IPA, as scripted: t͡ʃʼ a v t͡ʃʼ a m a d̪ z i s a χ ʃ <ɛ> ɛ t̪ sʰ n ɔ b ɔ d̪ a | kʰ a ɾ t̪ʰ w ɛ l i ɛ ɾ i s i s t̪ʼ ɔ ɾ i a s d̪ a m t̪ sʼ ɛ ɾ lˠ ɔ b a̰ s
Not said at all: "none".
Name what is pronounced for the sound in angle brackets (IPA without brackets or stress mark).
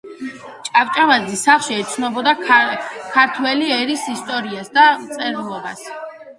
i